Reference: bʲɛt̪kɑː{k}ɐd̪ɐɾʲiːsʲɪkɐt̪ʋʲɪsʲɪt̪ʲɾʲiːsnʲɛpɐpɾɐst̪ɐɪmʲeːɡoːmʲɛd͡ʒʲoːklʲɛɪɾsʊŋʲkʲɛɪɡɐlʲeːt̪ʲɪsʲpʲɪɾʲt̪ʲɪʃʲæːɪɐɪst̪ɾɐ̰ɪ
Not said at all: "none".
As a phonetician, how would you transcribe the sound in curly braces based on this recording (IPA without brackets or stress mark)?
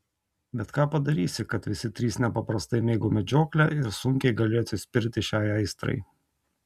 p